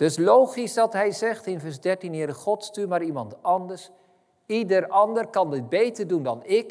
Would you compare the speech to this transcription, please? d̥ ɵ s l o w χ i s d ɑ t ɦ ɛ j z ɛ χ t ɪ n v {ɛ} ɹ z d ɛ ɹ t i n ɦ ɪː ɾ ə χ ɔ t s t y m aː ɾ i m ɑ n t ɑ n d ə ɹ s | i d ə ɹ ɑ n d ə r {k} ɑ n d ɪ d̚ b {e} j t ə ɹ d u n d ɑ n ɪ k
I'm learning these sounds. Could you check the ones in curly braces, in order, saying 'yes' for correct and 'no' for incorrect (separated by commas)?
yes, yes, yes